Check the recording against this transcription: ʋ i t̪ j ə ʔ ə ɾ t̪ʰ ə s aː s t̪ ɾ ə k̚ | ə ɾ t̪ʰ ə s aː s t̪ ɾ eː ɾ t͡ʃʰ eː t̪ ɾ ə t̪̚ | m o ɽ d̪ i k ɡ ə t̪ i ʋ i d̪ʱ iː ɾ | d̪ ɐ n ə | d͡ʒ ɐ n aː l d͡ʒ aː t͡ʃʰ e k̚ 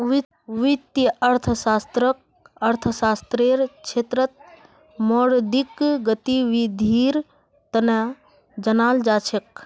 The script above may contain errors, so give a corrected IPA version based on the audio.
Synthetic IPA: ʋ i t̪ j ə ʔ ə ɾ t̪ʰ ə s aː s t̪ ɾ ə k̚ | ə ɾ t̪ʰ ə s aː s t̪ ɾ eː ɾ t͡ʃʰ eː t̪ ɾ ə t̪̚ | m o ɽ d̪ i k ɡ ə t̪ i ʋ i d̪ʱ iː ɾ | t̪ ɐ n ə | d͡ʒ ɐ n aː l d͡ʒ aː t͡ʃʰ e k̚